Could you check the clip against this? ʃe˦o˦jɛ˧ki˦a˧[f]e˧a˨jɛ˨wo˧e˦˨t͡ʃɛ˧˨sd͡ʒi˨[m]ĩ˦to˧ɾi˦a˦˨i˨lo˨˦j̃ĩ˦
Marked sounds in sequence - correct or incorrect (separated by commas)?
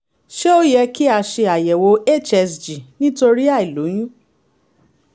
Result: incorrect, incorrect